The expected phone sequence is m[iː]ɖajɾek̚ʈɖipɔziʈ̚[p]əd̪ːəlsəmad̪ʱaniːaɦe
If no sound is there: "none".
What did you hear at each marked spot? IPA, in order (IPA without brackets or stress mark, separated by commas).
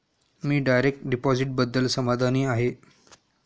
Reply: iː, b